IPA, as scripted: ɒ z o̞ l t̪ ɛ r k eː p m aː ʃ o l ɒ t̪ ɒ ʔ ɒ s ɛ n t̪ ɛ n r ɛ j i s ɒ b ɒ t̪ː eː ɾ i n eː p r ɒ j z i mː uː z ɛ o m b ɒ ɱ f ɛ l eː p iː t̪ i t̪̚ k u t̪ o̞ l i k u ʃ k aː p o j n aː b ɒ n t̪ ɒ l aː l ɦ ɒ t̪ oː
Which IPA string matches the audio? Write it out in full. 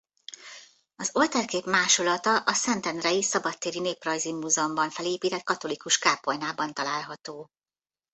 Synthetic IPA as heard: ɒ z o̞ l t̪ ɛ r k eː p m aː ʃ o l ɒ t̪ ɒ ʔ ɒ s ɛ n t̪ ɛ n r ɛ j i s ɒ b ɒ t̪ː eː ɾ i n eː p r ɒ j z i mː uː z ɛ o m b ɒ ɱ f ɛ l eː p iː t̪ ɛ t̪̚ k ɒ t̪ o̞ l i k u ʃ k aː p o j n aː b ɒ n t̪ ɒ l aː l ɦ ɒ t̪ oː